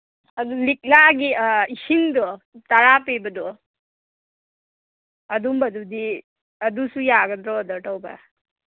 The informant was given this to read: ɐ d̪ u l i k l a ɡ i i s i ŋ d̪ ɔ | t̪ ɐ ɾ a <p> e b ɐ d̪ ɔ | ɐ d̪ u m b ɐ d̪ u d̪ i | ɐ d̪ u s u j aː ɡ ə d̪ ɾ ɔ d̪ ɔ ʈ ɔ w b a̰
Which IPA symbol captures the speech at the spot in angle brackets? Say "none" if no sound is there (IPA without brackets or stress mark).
p